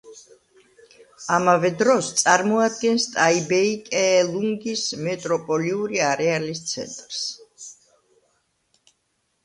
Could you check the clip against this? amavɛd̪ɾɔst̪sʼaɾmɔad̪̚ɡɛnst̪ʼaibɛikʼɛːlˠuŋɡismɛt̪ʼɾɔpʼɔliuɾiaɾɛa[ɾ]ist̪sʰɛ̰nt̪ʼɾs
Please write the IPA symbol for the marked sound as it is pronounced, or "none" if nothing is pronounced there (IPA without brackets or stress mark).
l